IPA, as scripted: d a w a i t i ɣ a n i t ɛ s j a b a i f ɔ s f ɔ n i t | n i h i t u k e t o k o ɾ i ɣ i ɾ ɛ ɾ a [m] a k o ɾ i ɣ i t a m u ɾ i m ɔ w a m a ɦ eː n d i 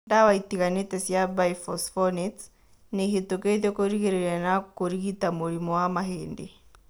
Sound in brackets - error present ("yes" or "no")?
yes